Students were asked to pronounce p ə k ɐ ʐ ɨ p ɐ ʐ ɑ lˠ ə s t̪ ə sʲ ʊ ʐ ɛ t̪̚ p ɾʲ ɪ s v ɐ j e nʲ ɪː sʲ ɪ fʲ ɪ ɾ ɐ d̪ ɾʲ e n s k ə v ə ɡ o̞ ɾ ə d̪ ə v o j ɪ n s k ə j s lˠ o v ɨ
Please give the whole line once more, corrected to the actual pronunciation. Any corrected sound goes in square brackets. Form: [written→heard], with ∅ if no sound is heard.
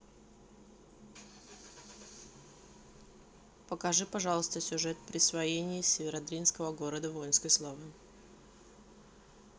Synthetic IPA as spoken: p ə k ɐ ʐ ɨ p ɐ ʐ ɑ lˠ ə s t̪ ə sʲ ʊ ʐ ɛ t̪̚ p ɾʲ ɪ s v ɐ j e nʲ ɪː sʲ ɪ [fʲ→vʲ] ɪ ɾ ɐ d̪ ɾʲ [e→i] n s k ə v ə ɡ o̞ ɾ ə d̪ ə v o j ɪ n s k ə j s lˠ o v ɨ